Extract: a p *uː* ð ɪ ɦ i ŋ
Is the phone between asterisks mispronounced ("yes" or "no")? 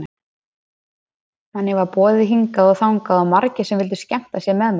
yes